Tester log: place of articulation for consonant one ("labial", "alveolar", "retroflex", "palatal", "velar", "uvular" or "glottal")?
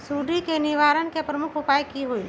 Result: alveolar